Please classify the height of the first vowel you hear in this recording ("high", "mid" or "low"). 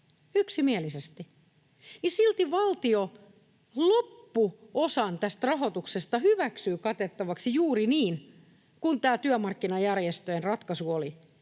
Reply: high